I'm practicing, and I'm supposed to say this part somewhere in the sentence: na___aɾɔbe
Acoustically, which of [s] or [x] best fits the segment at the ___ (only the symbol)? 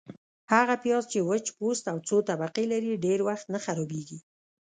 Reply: x